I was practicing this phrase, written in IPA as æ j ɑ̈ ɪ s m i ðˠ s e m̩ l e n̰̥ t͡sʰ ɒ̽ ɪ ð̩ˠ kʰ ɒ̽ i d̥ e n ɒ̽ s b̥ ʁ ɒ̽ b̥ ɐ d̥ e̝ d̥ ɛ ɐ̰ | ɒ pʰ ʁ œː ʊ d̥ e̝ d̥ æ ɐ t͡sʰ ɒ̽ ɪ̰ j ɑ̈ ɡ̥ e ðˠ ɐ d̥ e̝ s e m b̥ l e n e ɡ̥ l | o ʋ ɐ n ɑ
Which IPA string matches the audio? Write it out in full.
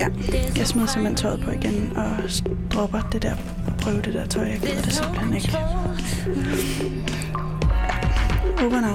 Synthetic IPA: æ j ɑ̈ ɪ s m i ðˠ s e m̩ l e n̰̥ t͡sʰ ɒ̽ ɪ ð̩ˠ pʰ ɒ̽ i ɡ̥ e n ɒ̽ s d̥ ʁ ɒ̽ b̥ ɐ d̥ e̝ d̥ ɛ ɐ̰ | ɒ pʰ ʁ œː ʊ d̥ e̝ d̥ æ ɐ t͡sʰ ɒ̽ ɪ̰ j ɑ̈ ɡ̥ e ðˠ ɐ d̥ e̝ s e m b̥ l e n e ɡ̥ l | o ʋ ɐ n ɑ